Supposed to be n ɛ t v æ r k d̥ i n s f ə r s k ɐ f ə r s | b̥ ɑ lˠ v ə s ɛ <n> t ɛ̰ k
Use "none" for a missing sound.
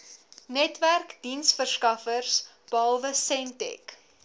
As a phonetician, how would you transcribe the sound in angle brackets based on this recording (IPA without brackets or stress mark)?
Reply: n